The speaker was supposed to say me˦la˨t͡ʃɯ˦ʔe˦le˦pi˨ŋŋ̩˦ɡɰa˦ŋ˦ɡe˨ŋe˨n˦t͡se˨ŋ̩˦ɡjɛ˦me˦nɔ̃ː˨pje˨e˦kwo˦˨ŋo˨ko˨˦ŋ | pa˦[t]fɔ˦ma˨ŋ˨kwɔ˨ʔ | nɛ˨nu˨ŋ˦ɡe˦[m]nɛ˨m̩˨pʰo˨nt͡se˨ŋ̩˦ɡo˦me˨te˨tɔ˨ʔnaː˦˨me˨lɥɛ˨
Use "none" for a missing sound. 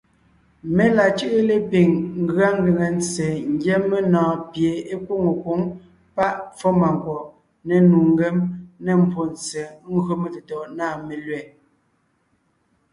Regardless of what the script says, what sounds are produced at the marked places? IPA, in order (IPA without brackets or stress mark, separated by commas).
ʔ, m